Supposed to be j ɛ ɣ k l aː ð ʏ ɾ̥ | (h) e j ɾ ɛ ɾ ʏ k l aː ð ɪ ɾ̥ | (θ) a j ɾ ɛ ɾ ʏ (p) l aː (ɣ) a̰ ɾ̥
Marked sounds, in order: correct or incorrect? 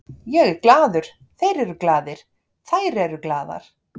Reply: incorrect: θ, correct, incorrect: k, incorrect: ð

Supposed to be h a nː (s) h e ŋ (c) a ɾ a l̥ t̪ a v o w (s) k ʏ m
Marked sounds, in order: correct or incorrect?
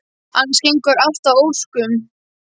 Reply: correct, incorrect: k, correct

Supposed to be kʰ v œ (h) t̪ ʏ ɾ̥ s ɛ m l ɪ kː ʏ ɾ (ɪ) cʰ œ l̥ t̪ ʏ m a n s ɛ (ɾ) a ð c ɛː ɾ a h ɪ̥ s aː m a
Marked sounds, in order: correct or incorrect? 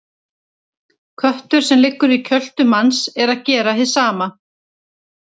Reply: correct, incorrect: i, correct

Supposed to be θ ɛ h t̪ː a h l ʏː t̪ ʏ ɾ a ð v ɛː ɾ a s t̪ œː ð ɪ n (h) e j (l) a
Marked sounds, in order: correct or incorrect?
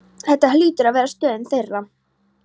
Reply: incorrect: θ, incorrect: r

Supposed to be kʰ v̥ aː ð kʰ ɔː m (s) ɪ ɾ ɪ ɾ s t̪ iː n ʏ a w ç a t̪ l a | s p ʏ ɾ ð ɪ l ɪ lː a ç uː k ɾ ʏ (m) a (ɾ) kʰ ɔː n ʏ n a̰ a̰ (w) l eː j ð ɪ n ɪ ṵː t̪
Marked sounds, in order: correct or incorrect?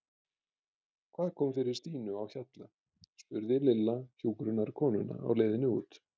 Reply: incorrect: f, incorrect: n, correct, correct

